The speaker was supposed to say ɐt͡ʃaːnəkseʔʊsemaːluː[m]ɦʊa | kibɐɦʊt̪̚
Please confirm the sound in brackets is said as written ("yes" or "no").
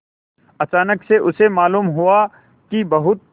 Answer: yes